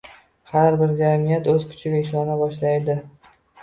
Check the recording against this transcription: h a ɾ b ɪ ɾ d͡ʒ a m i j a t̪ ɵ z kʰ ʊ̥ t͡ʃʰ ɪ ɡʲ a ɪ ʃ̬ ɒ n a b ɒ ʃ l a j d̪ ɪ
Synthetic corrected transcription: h a ɾ b ɪ ɾ d͡ʒ a m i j a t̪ ɵ z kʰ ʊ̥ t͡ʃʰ ɪ ɡʲ a ɪ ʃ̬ ɒ n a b ɒ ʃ l a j d̪ ɪ